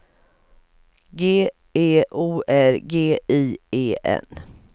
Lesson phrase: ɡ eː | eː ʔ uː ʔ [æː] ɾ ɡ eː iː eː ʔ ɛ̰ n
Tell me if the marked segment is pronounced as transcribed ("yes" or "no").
no